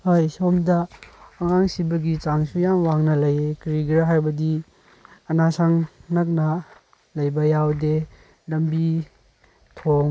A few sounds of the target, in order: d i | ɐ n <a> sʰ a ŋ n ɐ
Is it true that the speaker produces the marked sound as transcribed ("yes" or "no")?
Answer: yes